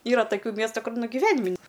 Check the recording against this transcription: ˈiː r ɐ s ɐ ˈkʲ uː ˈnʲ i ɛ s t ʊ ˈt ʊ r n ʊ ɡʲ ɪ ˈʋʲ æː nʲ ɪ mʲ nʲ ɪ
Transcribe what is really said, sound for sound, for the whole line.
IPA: ˈiː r ɐ t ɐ ˈkʲ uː ˈmʲ i ɛ s t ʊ ˈk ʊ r n ʊ ɡʲ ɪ ˈʋʲ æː nʲ ɪ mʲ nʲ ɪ